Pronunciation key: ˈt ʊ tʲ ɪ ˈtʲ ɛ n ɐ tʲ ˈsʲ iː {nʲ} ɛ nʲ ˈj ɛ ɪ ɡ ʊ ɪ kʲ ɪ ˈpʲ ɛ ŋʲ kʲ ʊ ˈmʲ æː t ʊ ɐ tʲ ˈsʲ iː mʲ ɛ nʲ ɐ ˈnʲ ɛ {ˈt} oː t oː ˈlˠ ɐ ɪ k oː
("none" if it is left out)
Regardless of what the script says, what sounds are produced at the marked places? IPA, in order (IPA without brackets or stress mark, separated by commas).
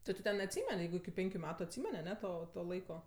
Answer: mʲ, t